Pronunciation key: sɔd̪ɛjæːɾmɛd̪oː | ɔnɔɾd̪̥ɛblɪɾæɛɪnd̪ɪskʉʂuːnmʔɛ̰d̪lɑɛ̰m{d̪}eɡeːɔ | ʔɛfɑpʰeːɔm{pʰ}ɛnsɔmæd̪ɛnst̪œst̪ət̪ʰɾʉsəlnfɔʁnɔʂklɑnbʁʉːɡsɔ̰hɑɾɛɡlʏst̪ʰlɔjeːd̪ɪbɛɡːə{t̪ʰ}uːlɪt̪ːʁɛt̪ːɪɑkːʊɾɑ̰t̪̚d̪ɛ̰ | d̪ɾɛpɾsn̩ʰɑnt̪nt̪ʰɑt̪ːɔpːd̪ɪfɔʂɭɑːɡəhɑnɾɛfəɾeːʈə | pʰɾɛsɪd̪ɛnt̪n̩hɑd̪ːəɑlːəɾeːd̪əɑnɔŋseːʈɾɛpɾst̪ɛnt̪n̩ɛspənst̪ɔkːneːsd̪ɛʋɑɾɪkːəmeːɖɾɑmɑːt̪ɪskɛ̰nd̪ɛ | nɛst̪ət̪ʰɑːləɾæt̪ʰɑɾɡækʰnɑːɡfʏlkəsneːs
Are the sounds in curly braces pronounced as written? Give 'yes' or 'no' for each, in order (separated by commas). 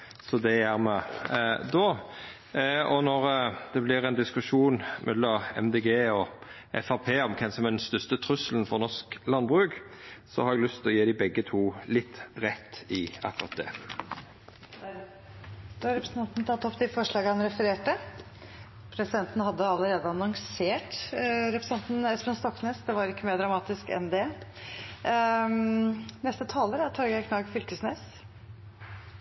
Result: yes, no, yes